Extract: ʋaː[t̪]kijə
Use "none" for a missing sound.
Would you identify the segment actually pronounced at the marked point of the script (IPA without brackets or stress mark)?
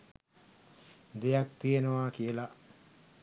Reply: none